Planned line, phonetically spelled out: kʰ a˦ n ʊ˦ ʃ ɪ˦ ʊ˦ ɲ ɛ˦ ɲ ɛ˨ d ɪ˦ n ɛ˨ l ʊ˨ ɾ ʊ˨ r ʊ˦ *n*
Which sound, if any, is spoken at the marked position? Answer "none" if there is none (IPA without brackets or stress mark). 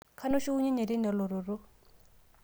none